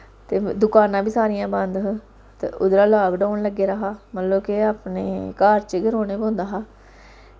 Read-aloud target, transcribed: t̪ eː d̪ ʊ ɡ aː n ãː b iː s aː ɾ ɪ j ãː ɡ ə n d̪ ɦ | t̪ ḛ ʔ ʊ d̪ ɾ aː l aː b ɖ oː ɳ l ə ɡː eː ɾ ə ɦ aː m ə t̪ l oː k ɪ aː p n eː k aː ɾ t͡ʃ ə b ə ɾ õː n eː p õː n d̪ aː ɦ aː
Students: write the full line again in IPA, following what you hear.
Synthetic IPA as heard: t̪ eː d̪ ʊ k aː n ãː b iː s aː ɾ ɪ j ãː b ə n d̪ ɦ | t̪ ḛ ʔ ʊ d̪ ɾ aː l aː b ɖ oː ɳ l ə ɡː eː ɾ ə ɦ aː m ə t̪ l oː k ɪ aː p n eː k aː ɾ t͡ʃ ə ɡ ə ɾ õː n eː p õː n d̪ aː ɦ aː